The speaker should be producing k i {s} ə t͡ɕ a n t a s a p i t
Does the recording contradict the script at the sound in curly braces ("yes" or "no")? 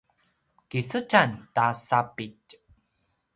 no